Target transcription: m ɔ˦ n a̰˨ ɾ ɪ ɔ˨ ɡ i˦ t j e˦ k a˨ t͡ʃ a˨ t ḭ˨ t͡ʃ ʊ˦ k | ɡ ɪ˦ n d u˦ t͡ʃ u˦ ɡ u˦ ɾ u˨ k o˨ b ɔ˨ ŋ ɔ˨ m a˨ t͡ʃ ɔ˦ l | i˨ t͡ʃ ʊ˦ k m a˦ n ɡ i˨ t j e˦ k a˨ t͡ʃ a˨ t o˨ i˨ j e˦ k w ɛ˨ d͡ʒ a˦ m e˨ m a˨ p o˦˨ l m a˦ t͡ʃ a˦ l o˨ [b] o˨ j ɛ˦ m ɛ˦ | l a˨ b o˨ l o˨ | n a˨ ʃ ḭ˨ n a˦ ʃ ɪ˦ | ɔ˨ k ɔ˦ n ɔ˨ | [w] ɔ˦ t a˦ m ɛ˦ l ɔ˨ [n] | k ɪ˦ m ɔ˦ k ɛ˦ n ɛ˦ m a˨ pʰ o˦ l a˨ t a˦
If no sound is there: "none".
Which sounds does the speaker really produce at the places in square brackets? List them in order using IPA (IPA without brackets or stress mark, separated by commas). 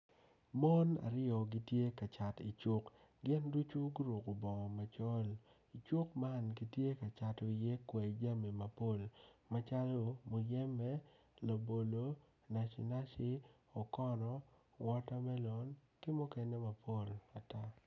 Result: m, w, n